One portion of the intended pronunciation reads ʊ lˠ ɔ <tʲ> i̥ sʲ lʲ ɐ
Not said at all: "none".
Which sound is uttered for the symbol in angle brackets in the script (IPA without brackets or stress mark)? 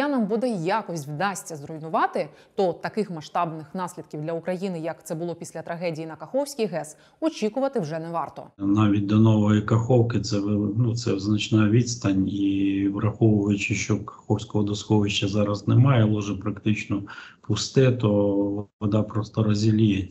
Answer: pʲ